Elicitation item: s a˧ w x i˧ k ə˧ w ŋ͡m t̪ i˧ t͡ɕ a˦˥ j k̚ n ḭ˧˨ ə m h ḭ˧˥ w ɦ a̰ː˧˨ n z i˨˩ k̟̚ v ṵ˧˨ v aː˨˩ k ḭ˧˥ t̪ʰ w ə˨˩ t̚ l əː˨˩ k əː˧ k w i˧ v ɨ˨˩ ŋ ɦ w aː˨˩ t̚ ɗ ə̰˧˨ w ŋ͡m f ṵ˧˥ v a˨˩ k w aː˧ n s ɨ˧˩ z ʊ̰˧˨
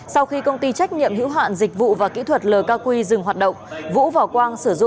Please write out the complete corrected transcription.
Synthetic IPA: s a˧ w x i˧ k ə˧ w ŋ͡m t̪ i˧ t͡ɕ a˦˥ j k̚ ɲ ḭ˧˨ ə m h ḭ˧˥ w ɦ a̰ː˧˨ n z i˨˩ k̟̚ v ṵ˧˨ v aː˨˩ k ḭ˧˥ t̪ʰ w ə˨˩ t̚ l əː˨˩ k aː˧ k w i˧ z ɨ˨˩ ŋ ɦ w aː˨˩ t̚ ɗ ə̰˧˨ w ŋ͡m v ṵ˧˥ v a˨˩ k w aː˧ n s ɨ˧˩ z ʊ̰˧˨